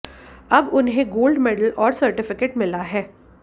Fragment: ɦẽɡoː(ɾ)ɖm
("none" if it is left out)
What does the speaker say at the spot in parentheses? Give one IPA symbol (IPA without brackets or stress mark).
l